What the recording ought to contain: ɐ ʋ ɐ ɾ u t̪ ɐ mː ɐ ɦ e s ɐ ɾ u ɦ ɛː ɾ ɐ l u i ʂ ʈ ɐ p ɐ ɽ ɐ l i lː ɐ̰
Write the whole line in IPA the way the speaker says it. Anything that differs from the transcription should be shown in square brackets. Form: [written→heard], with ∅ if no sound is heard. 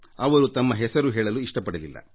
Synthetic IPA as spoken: ɐ ʋ ɐ ɾ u t̪ ɐ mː ɐ ɦ [e→ɛ] s ɐ ɾ u ɦ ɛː [ɾ→ɭ] ɐ l u i ʂ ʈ ɐ p ɐ ɽ ɐ l i lː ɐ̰

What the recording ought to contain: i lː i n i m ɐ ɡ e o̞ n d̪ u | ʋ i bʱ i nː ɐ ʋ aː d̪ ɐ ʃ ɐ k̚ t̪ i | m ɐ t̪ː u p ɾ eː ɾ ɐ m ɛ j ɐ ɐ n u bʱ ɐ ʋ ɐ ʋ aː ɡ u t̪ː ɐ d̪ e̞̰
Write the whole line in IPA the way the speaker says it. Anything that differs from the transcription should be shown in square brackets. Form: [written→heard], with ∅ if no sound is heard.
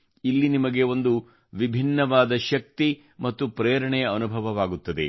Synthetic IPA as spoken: i lː i n i m ɐ ɡ e o̞ n d̪ u | ʋ i bʱ i nː ɐ ʋ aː d̪ ɐ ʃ ɐ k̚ t̪ i | m ɐ t̪ː u p ɾ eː ɾ ɐ [m→ɳ] ɛ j ɐ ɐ n u bʱ ɐ ʋ ɐ ʋ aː ɡ u t̪ː ɐ d̪ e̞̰

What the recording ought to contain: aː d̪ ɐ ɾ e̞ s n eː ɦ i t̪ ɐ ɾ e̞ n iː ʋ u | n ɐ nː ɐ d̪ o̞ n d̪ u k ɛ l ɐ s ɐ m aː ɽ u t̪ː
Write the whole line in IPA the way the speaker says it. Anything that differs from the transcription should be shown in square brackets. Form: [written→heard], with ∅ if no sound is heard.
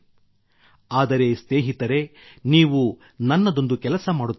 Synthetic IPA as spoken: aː d̪ ɐ ɾ e̞ s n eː ɦ i t̪ ɐ ɾ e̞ n iː ʋ u | n ɐ nː ɐ d̪ o̞ n d̪ u k ɛ l ɐ s ɐ m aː ɽ u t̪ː

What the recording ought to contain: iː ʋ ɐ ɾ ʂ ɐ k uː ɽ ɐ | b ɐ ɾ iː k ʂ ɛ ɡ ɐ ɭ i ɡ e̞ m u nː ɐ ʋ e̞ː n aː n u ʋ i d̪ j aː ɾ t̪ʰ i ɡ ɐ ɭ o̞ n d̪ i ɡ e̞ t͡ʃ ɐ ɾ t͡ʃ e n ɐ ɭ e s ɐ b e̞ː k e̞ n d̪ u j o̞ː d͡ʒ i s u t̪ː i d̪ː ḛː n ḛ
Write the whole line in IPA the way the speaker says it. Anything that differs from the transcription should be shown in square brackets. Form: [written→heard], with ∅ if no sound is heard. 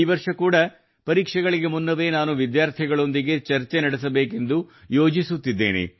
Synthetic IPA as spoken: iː ʋ ɐ ɾ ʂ ɐ k uː ɽ ɐ | [b→p] ɐ ɾ iː k ʂ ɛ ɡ ɐ ɭ i ɡ e̞ m u nː ɐ ʋ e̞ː n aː n u ʋ i d̪ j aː ɾ t̪ʰ i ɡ ɐ ɭ o̞ n d̪ i ɡ e̞ t͡ʃ ɐ ɾ t͡ʃ e n ɐ [ɭ→ɽ] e s ɐ b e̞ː k e̞ n d̪ u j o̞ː d͡ʒ i s u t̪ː i d̪ː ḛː n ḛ

